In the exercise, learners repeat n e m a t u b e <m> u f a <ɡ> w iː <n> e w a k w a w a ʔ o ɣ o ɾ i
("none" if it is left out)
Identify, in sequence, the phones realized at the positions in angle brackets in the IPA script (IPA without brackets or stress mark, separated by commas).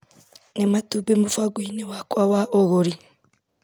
m, ɡ, n